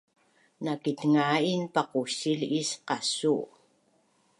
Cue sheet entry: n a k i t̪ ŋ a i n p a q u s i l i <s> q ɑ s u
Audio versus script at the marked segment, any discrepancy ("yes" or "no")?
no